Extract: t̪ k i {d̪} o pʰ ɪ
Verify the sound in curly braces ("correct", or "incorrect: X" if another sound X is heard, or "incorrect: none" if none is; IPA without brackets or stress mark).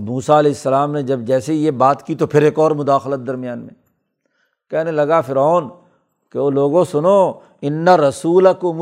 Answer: incorrect: t̪